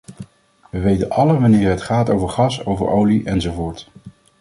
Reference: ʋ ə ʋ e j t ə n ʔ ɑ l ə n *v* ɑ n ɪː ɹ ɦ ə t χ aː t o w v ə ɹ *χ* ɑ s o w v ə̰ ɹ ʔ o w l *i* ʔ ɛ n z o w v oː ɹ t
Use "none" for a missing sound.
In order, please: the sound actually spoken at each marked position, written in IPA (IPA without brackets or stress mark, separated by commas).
ʋ, χ, i